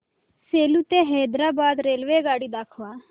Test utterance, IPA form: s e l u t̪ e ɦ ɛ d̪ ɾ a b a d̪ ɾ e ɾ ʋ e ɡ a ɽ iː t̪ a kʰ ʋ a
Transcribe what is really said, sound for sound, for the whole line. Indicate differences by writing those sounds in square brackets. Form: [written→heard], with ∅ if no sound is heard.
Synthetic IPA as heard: s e l u t̪ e ɦ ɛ d̪ ɾ a b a d̪ ɾ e [ɾ→l] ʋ e ɡ a ɽ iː [t̪→d̪] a kʰ ʋ a

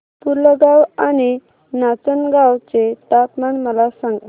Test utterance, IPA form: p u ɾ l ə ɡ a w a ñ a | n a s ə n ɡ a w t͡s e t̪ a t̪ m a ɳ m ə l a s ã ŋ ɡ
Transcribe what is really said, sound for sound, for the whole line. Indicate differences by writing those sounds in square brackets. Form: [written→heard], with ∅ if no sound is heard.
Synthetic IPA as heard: p u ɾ l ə ɡ a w a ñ [a→i] | n a [s→t͡s] ə n ɡ a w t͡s e t̪ a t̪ m a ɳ m ə l a s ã ŋ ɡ

